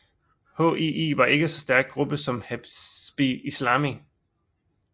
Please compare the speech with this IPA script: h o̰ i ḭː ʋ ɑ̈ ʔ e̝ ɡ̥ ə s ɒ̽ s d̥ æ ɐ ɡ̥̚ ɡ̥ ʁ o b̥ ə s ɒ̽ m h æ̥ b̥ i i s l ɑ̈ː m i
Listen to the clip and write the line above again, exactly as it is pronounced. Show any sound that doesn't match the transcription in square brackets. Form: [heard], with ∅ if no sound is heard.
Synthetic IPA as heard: h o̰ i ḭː ʋ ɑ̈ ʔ e̝ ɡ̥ ə s ɒ̽ s d̥ æ ɐ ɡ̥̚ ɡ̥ ʁ [u] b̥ ə s ɒ̽ m h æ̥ b̥ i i s l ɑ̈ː m i